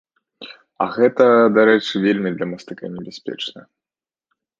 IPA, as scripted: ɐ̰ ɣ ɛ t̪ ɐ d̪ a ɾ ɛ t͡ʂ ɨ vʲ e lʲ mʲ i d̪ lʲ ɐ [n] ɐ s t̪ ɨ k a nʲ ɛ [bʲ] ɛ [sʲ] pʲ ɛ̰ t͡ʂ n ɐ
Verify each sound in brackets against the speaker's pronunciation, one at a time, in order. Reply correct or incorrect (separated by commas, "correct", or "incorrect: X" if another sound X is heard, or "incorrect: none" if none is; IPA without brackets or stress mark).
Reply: incorrect: m, correct, correct